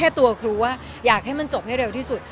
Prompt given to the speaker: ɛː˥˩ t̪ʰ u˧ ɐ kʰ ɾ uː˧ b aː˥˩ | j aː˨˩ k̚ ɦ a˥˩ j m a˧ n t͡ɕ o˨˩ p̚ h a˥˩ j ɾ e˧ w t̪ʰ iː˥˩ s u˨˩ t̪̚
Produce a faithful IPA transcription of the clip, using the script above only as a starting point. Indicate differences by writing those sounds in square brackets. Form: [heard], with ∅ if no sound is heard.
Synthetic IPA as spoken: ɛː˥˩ [t̪] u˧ ɐ kʰ ɾ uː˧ [w] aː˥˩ | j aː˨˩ k̚ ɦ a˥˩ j m a˧ n t͡ɕ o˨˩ p̚ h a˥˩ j ɾ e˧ w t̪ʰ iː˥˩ s u˨˩ t̪̚

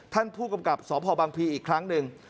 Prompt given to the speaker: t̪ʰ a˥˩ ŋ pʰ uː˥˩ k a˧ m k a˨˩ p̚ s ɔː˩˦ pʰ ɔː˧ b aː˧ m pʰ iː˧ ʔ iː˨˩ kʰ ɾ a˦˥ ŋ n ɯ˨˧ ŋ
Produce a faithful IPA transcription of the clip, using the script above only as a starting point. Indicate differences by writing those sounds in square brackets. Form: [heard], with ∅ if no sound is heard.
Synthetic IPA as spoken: t̪ʰ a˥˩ [n] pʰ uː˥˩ k a˧ m k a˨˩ p̚ s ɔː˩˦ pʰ ɔː˧ b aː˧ [ŋ] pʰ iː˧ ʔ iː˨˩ kʰ ɾ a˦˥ ŋ n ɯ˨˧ ŋ

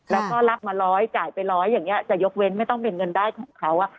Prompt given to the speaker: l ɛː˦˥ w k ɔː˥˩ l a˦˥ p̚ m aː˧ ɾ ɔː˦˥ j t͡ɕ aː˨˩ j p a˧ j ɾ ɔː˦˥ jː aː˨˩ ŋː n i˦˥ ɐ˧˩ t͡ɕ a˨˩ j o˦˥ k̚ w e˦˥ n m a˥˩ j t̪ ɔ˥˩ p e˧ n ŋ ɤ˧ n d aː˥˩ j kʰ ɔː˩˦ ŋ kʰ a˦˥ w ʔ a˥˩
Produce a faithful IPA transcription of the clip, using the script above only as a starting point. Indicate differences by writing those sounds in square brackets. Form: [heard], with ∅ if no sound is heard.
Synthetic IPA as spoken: l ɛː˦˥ w k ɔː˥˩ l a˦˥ p̚ m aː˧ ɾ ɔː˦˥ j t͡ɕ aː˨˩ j p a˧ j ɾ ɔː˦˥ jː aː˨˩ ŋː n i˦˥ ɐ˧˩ t͡ɕ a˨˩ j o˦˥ k̚ w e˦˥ n m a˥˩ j t̪ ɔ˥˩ p e˧ n ŋ ɤ˧ n d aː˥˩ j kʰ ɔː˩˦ ŋ kʰ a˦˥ w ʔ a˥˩

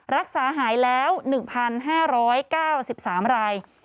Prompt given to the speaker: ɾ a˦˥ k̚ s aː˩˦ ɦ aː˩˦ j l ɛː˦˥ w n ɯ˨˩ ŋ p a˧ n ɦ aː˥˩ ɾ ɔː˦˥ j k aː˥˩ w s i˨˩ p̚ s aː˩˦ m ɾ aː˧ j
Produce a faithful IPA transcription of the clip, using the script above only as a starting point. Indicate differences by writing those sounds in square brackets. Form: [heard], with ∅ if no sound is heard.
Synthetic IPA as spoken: ɾ a˦˥ k̚ s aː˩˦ ɦ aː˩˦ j l ɛː˦˥ w n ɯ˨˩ ŋ [pʰ] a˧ n ɦ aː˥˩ ɾ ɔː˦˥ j k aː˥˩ w s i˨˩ p̚ s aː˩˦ m ɾ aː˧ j

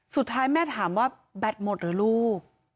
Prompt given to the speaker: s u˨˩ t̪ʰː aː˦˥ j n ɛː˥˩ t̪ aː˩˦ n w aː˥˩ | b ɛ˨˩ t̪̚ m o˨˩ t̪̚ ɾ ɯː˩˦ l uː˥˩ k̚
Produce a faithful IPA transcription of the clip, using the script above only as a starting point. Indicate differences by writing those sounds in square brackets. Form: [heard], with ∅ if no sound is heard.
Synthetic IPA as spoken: s u˨˩ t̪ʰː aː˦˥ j [m] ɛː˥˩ [t̪ʰ] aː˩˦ [m] w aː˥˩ | b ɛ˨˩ t̪̚ m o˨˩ t̪̚ ɾ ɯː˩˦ l uː˥˩ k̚

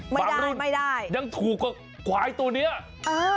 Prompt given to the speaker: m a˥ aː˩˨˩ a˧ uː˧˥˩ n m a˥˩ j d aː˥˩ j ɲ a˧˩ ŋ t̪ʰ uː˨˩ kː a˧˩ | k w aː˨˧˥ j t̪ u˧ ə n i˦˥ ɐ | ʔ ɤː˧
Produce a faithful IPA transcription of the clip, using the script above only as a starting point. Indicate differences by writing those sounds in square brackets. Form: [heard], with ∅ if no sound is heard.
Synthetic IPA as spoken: m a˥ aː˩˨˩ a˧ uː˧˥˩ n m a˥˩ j d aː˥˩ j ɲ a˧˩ ŋ t̪ʰ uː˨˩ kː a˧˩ | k w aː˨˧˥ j t̪ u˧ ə n i˦˥ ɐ | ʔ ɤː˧

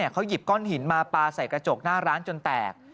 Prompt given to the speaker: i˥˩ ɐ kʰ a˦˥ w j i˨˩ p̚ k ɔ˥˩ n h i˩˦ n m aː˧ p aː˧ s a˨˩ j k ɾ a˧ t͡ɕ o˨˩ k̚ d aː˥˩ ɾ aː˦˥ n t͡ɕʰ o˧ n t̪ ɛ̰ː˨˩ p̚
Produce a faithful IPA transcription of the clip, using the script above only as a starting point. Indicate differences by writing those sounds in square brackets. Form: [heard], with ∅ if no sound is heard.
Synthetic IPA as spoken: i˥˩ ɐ kʰ a˦˥ w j i˨˩ p̚ k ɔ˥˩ n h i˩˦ n m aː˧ p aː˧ s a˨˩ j k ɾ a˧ t͡ɕ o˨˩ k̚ [n] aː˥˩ ɾ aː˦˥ n [t͡ɕ] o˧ n t̪ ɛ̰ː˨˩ [k̚]

